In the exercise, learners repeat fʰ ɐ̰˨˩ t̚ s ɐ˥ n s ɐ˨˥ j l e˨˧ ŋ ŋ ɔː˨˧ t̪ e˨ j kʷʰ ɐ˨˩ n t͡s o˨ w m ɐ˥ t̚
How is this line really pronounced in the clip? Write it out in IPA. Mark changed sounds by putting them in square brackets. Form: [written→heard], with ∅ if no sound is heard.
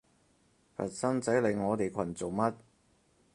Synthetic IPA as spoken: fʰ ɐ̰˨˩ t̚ s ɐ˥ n [s→t͡s] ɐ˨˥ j l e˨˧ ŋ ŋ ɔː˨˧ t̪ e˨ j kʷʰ ɐ˨˩ n t͡s o˨ w m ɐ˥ t̚